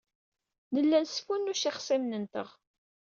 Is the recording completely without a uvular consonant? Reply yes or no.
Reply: no